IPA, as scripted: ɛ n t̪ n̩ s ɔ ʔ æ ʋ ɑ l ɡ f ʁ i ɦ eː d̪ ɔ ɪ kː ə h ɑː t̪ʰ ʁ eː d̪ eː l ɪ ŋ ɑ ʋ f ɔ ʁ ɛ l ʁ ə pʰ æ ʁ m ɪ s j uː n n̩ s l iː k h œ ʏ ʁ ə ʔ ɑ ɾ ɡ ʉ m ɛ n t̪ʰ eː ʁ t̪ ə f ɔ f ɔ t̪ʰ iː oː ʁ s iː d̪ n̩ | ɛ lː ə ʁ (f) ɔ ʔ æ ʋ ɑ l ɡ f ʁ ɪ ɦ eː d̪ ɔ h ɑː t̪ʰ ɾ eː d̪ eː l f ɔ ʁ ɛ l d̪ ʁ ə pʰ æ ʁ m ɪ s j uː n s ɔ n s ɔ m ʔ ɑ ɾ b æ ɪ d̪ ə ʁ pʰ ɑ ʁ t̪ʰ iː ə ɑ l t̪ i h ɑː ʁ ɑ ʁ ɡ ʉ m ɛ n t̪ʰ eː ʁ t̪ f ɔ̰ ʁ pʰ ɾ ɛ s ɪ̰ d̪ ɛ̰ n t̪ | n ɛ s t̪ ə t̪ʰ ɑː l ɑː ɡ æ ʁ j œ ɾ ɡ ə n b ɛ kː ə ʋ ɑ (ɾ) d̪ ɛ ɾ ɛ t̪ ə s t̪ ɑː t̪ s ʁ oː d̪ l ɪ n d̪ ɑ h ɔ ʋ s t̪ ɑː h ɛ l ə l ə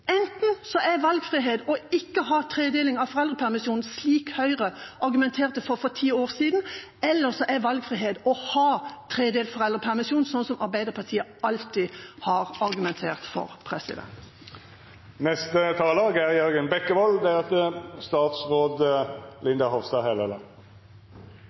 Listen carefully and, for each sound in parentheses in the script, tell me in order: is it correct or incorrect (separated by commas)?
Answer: incorrect, incorrect